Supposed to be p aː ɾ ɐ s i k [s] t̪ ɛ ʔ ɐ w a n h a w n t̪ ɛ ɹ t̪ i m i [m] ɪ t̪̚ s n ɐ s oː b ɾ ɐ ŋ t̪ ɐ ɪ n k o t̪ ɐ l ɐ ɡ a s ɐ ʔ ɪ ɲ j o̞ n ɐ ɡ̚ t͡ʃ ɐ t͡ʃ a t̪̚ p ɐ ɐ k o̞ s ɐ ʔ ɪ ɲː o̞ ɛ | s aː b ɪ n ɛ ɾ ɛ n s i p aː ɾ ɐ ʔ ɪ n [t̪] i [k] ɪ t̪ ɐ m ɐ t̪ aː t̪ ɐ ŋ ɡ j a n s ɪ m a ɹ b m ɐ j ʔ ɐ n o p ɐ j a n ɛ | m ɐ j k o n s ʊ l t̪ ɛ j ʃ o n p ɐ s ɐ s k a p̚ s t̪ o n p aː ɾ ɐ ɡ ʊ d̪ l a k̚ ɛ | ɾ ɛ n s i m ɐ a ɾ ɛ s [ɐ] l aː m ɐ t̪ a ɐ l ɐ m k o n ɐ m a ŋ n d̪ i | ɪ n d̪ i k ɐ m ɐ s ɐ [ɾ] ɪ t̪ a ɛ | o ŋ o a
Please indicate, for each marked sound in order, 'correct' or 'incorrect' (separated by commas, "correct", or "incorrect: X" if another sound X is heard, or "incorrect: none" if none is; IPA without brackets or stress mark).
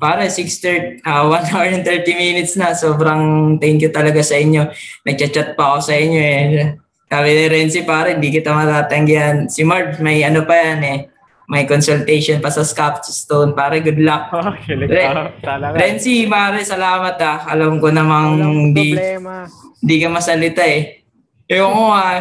correct, incorrect: n, incorrect: d̪, correct, correct, incorrect: l